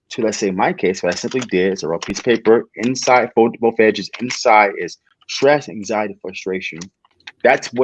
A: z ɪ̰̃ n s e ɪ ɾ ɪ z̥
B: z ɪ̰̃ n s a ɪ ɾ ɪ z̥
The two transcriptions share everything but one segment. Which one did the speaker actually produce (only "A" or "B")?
B